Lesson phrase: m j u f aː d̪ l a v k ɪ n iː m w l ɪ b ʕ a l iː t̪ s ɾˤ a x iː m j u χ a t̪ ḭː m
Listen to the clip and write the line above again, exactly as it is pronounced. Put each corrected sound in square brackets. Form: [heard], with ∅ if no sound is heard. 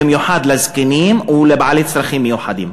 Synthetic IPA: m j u [ħ] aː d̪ l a [z] k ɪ n iː m w l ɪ b ʕ a l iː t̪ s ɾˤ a x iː m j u [ħ] a [d̪] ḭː m